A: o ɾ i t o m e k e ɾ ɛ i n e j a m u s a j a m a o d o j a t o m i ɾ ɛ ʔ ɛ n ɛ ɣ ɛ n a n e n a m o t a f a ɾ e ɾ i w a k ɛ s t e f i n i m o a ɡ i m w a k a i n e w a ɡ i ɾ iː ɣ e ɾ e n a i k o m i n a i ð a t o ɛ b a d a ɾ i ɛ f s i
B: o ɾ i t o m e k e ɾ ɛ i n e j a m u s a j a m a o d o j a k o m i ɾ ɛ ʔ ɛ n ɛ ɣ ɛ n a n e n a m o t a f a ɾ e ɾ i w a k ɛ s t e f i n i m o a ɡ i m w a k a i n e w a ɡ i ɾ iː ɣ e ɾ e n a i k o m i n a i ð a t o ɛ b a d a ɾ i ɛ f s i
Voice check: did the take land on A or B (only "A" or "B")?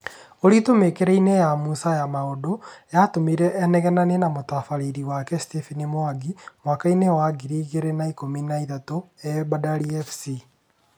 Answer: A